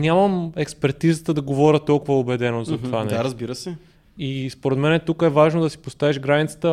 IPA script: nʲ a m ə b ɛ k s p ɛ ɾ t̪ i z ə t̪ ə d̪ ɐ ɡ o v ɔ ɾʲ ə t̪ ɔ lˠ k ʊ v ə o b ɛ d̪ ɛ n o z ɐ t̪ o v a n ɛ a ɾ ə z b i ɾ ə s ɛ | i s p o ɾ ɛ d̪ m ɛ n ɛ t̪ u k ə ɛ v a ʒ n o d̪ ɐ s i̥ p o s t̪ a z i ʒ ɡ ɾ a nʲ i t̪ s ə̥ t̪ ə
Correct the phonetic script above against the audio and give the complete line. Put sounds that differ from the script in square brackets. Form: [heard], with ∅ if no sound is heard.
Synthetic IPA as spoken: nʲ a m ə [m] ɛ k s p ɛ ɾ t̪ i z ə t̪ ə d̪ ɐ ɡ o v ɔ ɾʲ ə t̪ ɔ lˠ k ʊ v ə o b ɛ d̪ ɛ n o z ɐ t̪ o v a n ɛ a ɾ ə z b i ɾ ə s ɛ | i s p o ɾ ɛ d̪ m ɛ n ɛ t̪ u k ə ɛ v a ʒ n o d̪ ɐ s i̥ p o s t̪ a [v] i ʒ ɡ ɾ a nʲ i t̪ s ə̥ t̪ ə